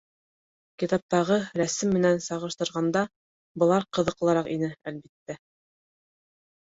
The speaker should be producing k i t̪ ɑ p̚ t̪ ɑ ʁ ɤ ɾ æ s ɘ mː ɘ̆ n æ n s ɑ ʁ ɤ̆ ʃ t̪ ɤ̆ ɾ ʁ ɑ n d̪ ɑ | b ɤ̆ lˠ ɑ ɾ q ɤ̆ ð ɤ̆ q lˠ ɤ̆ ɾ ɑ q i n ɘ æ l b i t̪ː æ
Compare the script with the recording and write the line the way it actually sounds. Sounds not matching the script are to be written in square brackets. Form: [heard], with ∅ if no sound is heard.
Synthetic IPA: k i t̪ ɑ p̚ t̪ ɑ ʁ ɤ ɾ æ s ɘ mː ɘ̆ n æ n s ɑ ʁ ɤ̆ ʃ t̪ ɤ̆ ɾ ʁ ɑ n d̪ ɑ | b ɤ̆ lˠ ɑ ɾ q ɤ̆ ð ɤ̆ q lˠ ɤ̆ ɾ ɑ q i n ɘ æ l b i t̪ː æ